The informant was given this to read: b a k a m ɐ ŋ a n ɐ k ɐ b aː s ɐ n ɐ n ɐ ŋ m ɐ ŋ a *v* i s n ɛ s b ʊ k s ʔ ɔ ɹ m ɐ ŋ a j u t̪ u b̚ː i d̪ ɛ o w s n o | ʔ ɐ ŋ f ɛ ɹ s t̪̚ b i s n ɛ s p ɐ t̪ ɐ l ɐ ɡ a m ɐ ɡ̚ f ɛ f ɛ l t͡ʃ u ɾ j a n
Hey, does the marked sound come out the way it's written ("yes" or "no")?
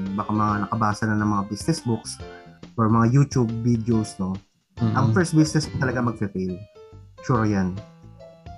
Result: no